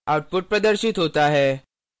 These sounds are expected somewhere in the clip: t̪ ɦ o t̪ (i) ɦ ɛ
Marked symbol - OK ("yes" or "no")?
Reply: no